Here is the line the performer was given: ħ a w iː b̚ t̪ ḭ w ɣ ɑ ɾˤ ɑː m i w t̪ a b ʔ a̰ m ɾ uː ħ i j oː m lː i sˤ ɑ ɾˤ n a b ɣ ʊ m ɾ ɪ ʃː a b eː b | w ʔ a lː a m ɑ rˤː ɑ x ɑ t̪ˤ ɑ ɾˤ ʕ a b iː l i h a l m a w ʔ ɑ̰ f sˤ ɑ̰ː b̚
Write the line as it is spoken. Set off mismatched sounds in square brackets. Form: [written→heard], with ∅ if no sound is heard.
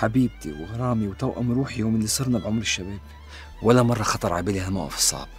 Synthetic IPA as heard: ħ a [w→b] iː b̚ t̪ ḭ w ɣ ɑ ɾˤ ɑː m i w t̪ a [b→w] ʔ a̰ m ɾ uː ħ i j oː m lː i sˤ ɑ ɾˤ n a b [ɣ→ʕ] ʊ m ɾ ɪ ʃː a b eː b | w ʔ a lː a m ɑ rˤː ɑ x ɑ t̪ˤ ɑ ɾˤ ʕ a b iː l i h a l m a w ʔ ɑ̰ f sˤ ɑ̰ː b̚